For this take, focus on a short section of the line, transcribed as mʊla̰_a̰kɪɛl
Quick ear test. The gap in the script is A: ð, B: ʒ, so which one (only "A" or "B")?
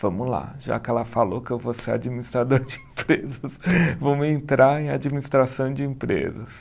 B